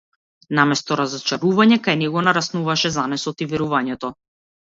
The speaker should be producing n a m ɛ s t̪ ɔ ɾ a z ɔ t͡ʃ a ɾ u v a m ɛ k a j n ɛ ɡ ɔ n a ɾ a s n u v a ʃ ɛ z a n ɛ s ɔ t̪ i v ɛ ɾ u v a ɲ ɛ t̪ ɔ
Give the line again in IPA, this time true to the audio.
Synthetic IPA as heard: n a m ɛ s t̪ ɔ ɾ a z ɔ t͡ʃ a ɾ u v a ɲ ɛ k a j n ɛ ɡ ɔ n a ɾ a s n u v a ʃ ɛ z a n ɛ s ɔ t̪ i v ɛ ɾ u v a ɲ ɛ t̪ ɔ